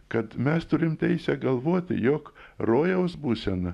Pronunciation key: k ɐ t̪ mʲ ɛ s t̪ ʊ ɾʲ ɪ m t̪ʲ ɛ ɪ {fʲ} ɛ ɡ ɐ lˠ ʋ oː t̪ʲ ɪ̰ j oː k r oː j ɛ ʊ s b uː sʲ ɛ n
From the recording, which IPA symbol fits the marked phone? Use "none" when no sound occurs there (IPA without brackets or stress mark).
sʲ